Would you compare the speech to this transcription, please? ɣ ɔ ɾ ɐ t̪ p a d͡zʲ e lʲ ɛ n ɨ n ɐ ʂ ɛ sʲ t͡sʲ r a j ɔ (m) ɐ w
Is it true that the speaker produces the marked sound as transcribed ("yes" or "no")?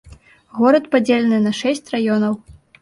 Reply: no